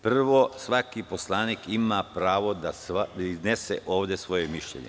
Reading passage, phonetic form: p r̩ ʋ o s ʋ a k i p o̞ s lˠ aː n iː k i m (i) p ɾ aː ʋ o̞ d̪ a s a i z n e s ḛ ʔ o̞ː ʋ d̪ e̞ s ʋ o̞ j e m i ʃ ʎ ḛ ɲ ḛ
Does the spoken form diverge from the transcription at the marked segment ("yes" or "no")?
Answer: yes